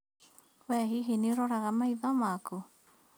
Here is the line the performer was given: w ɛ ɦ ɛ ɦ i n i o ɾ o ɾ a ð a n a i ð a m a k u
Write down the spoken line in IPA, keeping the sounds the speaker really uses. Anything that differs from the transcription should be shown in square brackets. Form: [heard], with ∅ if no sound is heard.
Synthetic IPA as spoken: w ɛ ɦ [i] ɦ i n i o ɾ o ɾ a [ɣ] a [m] a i ð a m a k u